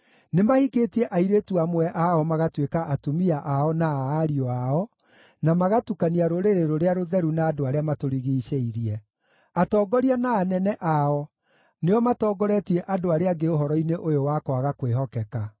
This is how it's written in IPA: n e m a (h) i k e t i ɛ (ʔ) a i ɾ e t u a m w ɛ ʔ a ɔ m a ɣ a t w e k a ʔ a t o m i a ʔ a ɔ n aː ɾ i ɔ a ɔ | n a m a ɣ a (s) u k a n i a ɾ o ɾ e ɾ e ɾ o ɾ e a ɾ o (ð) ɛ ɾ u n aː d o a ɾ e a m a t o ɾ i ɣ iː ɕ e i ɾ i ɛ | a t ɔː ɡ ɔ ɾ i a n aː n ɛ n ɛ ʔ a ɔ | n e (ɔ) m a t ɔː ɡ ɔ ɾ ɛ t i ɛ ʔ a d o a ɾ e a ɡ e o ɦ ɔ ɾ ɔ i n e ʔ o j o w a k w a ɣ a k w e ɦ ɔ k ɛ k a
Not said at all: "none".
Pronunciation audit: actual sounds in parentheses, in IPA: h, ʔ, t, ð, ɔ

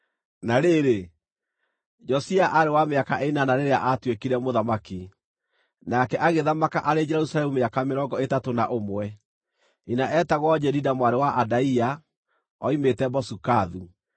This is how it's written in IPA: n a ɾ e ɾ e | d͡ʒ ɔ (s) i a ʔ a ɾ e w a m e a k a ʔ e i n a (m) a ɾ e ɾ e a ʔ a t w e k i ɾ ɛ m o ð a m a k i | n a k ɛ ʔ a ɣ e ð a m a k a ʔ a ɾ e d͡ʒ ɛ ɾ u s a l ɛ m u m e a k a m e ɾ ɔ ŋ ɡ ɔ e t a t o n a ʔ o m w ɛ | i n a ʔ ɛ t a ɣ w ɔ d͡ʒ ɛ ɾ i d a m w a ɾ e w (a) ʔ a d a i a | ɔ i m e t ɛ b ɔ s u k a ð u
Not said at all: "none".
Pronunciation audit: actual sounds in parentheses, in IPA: s, n, a

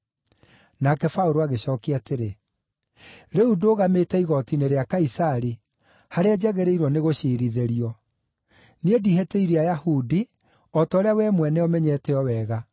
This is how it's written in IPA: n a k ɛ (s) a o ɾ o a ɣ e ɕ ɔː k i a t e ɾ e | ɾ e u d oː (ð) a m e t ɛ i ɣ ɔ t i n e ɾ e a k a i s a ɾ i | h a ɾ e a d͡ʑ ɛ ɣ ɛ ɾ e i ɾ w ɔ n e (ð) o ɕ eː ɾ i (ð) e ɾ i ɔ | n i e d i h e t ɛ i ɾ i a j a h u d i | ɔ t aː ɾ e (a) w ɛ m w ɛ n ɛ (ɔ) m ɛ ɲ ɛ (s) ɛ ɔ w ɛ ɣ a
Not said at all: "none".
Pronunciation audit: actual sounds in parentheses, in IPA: f, ɣ, ɣ, ð, a, ɔ, t

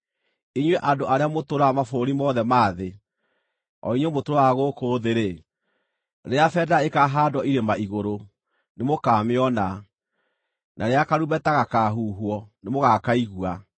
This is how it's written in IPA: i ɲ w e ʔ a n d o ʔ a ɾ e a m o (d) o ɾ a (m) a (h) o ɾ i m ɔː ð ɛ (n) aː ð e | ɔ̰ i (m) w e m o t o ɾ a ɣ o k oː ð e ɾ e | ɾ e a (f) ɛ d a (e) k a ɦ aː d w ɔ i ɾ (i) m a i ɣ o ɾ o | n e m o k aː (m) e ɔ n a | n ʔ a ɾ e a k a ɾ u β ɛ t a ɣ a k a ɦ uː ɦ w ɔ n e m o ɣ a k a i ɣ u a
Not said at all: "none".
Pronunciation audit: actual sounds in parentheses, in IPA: t, m, f, m, ɲ, f, e, e, m

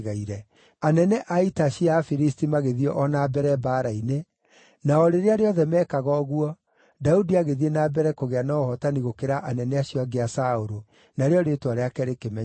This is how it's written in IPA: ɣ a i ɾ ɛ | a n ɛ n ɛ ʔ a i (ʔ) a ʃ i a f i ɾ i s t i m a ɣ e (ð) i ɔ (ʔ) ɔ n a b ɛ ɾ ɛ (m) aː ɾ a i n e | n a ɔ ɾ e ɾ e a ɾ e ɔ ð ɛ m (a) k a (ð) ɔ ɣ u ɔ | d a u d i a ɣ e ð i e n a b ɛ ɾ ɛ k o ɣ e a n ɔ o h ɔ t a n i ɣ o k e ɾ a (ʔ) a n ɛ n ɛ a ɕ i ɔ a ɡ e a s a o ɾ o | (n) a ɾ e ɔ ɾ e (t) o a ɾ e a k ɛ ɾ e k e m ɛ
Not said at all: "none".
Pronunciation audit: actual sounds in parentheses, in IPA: t, ð, ʔ, b, ɛ, ɣ, ʔ, n, t

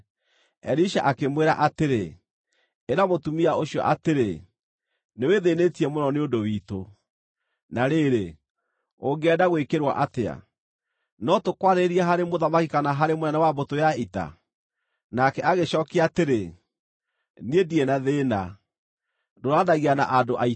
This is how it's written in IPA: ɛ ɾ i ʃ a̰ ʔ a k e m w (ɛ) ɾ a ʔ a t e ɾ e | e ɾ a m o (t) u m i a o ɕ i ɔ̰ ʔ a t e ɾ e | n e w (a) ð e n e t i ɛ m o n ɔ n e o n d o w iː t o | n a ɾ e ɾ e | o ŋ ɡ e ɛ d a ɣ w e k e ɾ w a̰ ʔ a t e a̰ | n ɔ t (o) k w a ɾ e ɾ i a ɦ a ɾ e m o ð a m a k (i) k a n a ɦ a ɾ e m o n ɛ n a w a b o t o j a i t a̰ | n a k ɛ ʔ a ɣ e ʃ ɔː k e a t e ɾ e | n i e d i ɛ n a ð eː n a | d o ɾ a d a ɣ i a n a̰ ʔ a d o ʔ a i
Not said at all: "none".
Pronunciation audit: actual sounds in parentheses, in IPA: e, t, e, o, i

